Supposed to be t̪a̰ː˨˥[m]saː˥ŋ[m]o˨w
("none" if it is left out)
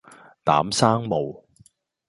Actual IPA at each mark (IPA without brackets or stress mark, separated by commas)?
m, m